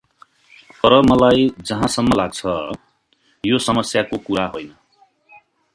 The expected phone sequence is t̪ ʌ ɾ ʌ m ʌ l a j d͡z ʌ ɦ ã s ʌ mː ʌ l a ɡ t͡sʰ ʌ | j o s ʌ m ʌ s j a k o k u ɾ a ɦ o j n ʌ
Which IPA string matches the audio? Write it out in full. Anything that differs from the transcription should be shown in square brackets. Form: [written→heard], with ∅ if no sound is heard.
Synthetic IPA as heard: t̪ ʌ ɾ ʌ m ʌ l a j d͡z ʌ ɦ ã s ʌ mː ʌ l a ɡ t͡sʰ ʌ | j o s ʌ m ʌ s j a k o k u ɾ a ɦ o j n ʌ